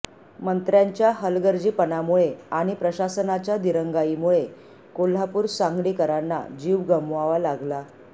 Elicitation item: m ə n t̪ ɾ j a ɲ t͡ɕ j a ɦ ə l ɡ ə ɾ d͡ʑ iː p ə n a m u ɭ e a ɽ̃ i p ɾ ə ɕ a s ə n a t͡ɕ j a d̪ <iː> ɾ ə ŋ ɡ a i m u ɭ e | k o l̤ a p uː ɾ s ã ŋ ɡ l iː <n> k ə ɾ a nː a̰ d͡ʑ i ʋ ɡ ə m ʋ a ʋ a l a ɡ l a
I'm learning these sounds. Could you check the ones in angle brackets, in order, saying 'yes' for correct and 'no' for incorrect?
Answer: no, no

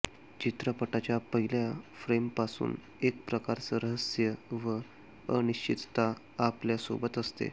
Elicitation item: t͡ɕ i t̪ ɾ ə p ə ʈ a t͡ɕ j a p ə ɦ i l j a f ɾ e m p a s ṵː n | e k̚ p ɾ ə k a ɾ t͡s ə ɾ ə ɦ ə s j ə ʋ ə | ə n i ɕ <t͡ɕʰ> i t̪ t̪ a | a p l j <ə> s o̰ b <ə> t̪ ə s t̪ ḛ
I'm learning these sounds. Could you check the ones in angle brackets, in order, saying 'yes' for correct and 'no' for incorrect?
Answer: no, no, yes

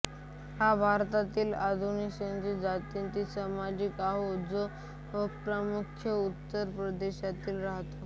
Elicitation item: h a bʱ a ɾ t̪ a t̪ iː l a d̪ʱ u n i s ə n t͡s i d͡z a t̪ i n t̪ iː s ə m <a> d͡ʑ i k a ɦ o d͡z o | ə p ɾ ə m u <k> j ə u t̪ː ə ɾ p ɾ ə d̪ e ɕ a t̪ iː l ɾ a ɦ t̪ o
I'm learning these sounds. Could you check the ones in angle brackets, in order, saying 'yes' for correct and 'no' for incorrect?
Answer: yes, no

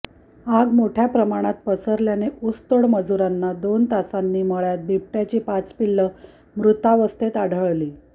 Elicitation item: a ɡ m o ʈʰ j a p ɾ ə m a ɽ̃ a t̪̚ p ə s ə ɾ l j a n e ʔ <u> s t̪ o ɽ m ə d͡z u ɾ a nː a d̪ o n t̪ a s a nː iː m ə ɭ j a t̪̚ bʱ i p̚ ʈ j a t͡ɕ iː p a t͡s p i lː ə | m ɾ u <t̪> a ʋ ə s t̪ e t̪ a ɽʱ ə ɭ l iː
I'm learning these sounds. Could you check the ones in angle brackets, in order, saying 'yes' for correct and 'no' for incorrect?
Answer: yes, yes

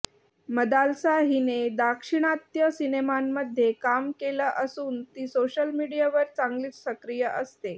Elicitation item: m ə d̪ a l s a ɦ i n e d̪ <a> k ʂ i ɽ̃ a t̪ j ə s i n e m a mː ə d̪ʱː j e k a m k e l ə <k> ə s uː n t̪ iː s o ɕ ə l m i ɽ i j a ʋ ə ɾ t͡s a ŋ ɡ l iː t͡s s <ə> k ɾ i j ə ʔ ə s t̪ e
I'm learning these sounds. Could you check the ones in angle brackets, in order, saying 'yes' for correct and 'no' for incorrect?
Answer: yes, no, yes

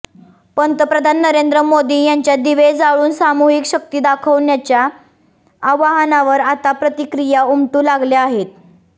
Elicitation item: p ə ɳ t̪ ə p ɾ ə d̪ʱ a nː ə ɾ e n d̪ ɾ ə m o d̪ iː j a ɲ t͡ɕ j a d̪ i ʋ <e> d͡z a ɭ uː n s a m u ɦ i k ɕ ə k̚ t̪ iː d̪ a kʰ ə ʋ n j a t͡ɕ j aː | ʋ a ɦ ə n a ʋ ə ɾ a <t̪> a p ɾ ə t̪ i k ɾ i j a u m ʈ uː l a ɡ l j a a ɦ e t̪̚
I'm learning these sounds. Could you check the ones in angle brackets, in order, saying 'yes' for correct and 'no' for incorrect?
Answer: yes, yes

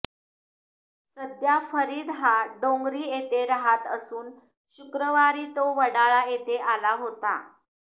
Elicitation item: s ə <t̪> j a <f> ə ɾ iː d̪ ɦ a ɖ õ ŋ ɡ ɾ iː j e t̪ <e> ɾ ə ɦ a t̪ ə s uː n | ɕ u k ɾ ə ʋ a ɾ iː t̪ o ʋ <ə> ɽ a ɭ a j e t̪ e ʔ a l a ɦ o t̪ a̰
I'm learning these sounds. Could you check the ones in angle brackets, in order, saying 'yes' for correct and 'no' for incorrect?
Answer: no, yes, yes, yes

